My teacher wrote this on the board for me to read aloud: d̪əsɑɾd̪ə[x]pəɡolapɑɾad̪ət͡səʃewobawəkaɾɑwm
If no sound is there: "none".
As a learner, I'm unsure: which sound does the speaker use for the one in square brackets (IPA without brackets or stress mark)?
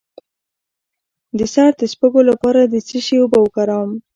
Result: s